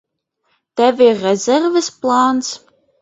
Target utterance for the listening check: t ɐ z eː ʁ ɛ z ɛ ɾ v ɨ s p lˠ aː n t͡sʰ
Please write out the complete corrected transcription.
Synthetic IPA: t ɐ v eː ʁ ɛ z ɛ r v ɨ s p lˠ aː n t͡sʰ